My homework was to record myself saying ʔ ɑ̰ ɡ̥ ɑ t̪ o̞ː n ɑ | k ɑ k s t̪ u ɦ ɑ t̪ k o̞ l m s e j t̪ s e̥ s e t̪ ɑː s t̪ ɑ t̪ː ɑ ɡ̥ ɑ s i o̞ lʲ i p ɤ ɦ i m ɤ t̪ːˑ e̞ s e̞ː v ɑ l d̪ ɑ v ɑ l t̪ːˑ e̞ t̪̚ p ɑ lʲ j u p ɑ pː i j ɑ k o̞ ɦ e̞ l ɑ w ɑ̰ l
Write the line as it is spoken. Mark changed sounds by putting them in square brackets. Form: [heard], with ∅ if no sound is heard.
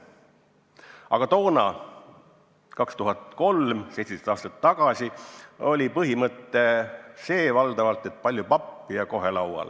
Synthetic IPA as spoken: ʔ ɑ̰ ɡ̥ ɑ t̪ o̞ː n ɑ | k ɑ k s t̪ u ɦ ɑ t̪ k o̞ l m s e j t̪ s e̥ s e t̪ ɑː s t̪ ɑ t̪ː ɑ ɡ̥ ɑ s i o̞ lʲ i p ɤ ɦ i m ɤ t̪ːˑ e̞ s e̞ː v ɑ l d̪ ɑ v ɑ l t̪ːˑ e̞ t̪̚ p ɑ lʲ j u p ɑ pː i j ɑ k o̞ ɦ e̞ l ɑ w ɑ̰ l